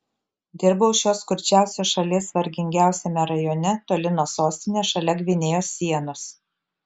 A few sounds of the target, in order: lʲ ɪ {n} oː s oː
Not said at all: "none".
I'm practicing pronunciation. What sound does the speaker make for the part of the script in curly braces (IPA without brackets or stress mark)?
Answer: n